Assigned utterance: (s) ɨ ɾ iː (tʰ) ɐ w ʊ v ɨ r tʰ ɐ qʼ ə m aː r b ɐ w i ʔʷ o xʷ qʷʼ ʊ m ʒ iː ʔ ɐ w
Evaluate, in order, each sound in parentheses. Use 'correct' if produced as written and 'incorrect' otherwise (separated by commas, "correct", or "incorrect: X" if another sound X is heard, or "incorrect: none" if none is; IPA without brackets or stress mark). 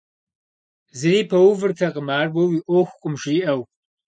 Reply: incorrect: z, incorrect: pʰ